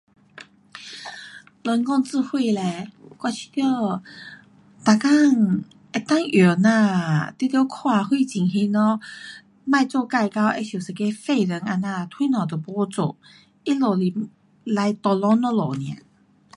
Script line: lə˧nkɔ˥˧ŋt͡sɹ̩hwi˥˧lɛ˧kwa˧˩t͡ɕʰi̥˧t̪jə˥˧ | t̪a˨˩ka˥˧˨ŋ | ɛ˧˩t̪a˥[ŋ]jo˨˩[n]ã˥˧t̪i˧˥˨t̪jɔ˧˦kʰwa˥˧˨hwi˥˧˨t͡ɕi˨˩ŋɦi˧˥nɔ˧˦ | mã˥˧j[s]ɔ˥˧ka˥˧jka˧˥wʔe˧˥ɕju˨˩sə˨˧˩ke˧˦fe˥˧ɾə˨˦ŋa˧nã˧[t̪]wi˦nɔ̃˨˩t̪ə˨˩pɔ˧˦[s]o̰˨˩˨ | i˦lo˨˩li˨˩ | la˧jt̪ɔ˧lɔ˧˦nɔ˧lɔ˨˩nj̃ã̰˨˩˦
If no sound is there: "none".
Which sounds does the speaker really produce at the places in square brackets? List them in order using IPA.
ŋ, n, t͡s, t̪ʰ, t͡s

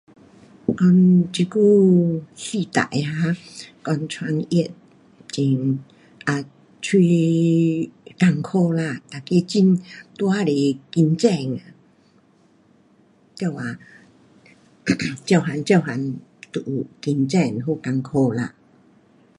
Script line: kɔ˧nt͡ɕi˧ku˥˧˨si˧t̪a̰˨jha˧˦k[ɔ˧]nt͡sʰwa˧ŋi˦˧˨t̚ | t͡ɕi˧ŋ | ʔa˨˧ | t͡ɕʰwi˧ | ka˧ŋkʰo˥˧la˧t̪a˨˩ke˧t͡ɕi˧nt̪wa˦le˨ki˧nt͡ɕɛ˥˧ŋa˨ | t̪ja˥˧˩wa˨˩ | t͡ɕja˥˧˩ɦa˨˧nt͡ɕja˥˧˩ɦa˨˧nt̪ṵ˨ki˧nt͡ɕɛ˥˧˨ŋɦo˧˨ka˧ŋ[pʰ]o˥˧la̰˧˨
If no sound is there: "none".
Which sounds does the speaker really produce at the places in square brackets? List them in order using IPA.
ɔ˧, kʰ

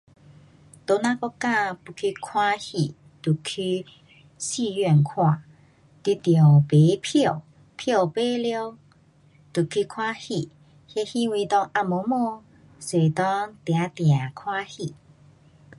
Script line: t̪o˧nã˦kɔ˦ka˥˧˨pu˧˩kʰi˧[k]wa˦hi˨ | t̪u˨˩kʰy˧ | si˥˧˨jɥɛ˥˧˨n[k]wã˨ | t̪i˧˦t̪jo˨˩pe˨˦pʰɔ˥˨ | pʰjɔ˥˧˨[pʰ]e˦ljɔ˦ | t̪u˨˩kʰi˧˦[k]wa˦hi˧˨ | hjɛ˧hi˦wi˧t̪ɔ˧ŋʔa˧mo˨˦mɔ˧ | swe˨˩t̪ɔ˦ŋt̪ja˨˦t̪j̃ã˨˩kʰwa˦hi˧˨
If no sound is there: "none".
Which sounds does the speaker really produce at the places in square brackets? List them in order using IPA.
kʰ, kʰ, p, kʰ

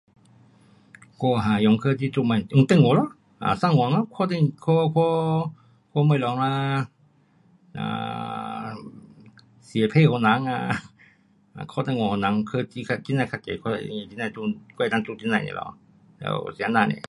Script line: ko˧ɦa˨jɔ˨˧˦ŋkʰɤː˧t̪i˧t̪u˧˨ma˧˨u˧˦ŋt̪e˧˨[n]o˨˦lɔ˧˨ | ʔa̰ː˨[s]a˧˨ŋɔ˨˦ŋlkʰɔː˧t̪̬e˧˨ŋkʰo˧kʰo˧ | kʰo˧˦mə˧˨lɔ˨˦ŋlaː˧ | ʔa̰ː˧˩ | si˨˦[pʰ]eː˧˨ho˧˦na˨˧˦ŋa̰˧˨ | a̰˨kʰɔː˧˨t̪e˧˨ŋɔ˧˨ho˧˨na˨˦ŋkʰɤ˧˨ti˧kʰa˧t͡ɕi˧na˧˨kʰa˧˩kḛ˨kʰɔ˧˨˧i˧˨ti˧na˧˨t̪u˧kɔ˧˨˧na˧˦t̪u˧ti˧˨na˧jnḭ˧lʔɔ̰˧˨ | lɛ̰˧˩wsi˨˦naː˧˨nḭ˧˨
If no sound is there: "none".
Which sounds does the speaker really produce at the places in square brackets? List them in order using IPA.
ŋ, s, pʰ

